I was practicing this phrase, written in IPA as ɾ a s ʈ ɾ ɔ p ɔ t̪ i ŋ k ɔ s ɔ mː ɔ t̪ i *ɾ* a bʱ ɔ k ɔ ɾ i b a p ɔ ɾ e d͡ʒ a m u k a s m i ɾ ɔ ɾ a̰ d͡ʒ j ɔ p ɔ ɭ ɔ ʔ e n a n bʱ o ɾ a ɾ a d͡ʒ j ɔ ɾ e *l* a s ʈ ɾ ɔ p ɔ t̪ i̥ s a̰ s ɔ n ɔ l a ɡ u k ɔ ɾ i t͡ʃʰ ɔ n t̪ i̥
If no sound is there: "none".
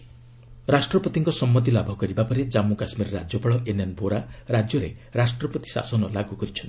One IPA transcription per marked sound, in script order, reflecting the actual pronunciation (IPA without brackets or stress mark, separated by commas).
l, ɾ